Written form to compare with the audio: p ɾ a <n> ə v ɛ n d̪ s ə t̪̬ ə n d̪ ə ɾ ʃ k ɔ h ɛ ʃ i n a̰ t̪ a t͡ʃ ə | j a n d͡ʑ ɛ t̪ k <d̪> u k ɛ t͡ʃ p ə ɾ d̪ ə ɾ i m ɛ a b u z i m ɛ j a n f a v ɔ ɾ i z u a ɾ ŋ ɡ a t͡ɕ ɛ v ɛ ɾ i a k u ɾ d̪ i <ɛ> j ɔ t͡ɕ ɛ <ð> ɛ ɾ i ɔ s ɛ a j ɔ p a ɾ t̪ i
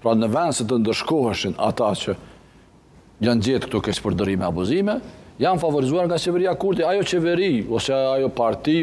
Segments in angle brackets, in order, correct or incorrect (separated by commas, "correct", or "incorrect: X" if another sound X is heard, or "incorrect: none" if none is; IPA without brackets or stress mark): correct, incorrect: t̪, incorrect: a, incorrect: v